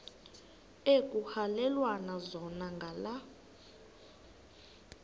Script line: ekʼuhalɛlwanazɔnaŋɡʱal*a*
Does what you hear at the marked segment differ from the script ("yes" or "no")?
no